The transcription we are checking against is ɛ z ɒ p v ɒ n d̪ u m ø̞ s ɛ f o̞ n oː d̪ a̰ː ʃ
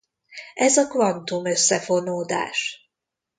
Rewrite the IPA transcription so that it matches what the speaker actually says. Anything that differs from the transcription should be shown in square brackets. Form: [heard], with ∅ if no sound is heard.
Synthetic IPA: ɛ z ɒ [k] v ɒ n [t̪] u m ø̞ [sː] ɛ f o̞ n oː d̪ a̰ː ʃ